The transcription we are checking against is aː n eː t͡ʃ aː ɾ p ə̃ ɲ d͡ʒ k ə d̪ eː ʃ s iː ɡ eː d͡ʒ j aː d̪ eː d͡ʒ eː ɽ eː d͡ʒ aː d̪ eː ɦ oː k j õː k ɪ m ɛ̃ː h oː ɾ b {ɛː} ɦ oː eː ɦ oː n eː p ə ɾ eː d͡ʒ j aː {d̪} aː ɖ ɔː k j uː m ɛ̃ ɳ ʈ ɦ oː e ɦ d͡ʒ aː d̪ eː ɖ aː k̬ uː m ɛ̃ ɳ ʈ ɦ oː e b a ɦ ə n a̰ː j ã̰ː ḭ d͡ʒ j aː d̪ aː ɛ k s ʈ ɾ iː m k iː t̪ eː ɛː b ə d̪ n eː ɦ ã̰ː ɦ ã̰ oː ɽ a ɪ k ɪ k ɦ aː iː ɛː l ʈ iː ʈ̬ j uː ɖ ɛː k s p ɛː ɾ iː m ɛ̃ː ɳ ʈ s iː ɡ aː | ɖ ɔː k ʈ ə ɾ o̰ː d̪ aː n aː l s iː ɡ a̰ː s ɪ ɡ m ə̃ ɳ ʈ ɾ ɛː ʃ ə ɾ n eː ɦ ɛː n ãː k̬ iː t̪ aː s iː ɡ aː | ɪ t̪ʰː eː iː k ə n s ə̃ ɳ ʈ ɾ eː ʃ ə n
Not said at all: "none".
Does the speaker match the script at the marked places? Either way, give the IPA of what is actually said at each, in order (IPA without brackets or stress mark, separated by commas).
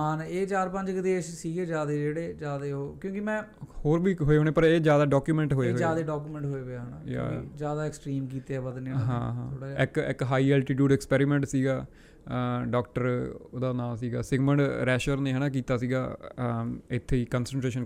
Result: iː, d̪